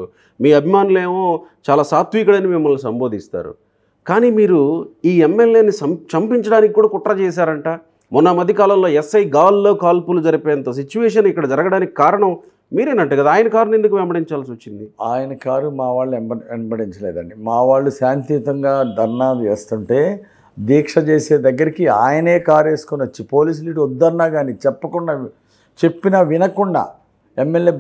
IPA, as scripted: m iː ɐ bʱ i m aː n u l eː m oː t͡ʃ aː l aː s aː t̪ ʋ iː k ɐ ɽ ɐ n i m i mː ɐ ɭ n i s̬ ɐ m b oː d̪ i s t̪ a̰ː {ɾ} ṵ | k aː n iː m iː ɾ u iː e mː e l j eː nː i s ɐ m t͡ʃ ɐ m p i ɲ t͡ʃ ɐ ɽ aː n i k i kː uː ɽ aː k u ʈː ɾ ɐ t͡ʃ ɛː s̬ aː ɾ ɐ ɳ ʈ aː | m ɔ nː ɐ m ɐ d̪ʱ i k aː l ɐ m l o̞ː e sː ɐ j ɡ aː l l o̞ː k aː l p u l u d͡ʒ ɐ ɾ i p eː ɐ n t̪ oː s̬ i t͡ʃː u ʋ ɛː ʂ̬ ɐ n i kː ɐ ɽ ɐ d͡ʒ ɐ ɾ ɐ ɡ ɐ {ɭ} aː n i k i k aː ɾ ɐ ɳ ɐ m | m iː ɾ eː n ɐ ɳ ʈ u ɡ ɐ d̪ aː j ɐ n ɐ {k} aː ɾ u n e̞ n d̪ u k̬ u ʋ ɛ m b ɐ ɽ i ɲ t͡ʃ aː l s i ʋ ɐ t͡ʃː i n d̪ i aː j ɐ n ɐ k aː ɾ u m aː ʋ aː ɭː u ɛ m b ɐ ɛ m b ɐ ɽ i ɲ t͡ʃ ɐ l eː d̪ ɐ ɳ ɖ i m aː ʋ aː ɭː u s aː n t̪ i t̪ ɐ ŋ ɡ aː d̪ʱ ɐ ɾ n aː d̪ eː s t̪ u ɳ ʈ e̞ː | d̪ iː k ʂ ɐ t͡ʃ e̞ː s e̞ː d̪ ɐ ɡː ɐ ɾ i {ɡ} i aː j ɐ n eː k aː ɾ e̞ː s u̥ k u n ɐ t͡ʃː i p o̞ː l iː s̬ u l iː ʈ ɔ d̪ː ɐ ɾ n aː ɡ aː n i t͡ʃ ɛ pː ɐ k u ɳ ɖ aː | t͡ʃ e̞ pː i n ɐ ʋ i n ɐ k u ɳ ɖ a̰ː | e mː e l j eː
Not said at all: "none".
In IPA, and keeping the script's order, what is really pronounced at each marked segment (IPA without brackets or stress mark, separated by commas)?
ɾ, ɽ, k, k